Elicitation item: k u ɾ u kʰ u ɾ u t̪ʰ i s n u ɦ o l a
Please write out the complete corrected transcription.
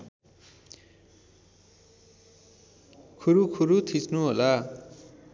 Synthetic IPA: kʰ u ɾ u kʰ u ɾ u t̪ʰ i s n u ɦ o l a